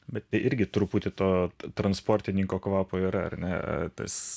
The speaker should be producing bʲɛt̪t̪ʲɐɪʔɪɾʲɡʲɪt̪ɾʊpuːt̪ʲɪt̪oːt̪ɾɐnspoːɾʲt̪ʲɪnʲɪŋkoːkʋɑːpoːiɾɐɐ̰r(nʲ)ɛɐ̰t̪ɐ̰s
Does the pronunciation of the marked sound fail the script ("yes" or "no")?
no